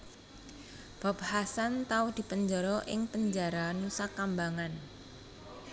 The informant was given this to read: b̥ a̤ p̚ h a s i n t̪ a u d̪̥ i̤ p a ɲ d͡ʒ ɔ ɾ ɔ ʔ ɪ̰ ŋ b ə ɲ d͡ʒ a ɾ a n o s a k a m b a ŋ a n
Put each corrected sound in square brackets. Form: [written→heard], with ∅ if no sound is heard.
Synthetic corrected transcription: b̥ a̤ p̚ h a s [i→a] n t̪ a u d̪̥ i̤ p [a→ə] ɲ d͡ʒ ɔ ɾ ɔ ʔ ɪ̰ ŋ [b→p] ə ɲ d͡ʒ a ɾ a n [o→u] s a k a m b a ŋ a n